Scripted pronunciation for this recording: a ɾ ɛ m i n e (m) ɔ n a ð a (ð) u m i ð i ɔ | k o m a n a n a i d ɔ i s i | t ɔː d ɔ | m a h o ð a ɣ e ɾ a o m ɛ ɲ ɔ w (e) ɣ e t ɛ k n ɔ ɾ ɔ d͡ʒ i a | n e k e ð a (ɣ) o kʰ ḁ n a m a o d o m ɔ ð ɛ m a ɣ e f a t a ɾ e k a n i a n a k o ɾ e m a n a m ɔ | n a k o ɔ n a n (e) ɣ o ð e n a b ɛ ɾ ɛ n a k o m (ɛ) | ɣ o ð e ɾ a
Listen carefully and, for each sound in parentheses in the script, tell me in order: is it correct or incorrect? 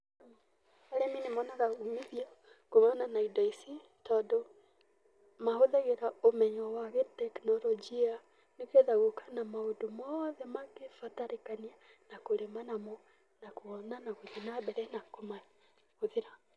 correct, incorrect, incorrect, correct, incorrect, incorrect

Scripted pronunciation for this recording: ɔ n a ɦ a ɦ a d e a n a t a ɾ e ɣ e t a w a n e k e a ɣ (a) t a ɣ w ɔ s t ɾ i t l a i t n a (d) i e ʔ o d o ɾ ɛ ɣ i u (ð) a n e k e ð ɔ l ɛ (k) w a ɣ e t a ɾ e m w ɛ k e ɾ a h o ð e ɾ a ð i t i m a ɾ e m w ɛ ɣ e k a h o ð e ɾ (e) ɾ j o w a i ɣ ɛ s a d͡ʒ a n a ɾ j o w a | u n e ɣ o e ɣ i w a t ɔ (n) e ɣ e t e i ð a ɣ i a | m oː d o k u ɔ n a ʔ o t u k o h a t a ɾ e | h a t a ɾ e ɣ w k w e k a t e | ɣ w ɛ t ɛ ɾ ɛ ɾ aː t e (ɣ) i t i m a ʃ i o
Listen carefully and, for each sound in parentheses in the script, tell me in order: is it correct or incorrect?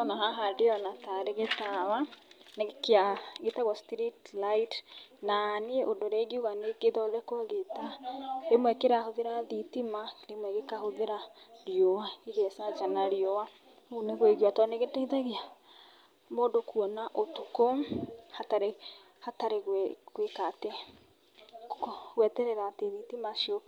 incorrect, incorrect, incorrect, correct, incorrect, correct, incorrect

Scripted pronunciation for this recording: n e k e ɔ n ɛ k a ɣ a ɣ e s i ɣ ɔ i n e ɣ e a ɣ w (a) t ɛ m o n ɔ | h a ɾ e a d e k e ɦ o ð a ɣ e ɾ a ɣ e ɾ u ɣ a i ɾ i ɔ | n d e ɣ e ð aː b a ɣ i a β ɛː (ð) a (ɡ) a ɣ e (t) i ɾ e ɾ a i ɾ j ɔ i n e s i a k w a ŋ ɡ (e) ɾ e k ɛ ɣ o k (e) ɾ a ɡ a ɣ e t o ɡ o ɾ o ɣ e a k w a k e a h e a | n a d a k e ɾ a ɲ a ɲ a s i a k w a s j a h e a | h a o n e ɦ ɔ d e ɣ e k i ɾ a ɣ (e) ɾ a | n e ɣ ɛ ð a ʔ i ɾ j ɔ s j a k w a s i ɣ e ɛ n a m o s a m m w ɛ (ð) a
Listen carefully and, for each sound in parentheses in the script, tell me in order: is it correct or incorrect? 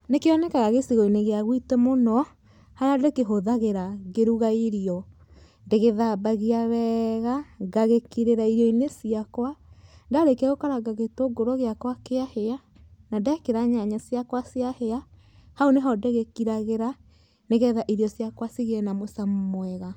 incorrect, incorrect, correct, incorrect, incorrect, incorrect, correct, incorrect

